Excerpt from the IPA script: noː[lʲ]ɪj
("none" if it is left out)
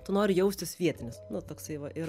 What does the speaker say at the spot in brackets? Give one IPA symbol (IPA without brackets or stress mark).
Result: ɾʲ